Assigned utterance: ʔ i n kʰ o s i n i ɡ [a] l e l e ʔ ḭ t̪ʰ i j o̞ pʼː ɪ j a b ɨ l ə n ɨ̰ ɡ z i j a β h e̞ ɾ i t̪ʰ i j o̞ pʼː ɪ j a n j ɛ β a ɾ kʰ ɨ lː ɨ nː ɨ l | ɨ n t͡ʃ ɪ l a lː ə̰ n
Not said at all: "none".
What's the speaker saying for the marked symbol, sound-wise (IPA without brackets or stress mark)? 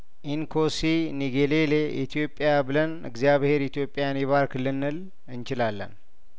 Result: e